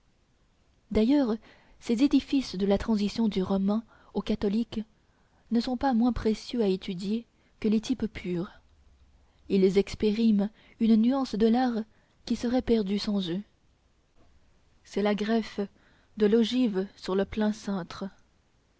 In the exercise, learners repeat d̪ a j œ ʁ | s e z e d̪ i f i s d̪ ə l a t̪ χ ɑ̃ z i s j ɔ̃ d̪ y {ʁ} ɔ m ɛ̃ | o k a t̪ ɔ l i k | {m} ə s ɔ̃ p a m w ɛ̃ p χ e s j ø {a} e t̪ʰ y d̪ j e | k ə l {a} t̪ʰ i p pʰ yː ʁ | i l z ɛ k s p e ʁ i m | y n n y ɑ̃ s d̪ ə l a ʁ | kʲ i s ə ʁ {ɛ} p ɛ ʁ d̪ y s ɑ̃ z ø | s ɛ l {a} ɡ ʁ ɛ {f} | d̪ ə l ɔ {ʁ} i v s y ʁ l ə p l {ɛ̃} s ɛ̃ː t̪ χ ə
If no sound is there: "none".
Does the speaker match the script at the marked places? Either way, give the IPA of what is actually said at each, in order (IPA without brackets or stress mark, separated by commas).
ʁ, n, a, e, ɛ, a, f, ʒ, ɛ̃